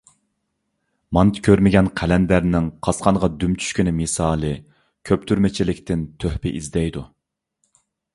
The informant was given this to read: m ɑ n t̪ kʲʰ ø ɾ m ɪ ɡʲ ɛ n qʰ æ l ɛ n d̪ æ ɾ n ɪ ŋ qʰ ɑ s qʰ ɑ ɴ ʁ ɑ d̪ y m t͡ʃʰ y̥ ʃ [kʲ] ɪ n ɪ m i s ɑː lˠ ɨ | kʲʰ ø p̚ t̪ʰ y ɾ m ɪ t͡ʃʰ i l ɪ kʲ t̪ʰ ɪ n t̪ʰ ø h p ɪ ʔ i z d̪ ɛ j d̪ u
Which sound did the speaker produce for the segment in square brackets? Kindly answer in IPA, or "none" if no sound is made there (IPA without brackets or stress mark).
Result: kʲ